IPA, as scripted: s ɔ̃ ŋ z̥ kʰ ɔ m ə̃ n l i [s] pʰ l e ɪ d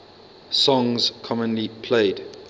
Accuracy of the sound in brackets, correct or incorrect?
incorrect: none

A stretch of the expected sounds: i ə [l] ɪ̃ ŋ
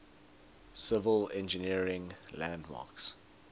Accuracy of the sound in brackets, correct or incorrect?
incorrect: ɹ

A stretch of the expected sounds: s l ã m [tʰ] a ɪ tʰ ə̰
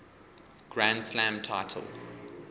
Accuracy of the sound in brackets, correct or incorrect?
correct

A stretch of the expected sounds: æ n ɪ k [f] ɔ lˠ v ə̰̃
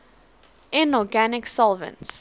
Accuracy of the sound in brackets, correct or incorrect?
incorrect: s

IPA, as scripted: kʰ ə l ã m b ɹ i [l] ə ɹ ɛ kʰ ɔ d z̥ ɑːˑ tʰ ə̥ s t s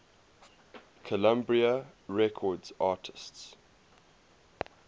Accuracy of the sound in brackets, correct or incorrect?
incorrect: none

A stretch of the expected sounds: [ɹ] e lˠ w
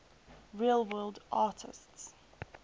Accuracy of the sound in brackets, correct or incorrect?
correct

